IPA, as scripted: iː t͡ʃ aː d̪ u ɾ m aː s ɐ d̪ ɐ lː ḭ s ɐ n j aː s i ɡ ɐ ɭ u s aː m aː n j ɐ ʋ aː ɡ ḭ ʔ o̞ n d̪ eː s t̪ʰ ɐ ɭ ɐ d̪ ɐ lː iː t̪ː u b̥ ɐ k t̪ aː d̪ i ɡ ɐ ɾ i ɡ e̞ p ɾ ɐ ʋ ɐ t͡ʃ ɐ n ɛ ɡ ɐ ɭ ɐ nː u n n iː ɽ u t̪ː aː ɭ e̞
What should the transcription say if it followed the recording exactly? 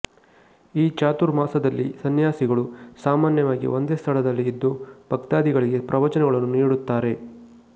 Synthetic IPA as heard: iː t͡ʃ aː t̪ u ɾ m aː s ɐ d̪ ɐ lː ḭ s ɐ n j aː s i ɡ ɐ ɭ u s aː m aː n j ɐ ʋ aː ɡ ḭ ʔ o̞ n d̪ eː s t̪ʰ ɐ ɭ ɐ d̪ ɐ lː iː d̪ː u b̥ ɐ k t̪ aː d̪ i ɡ ɐ ɭ i ɡ e̞ p ɾ ɐ ʋ ɐ t͡ʃ ɐ n ɛ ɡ ɐ ɭ ɐ nː u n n iː ɽ u t̪ː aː ɾ e̞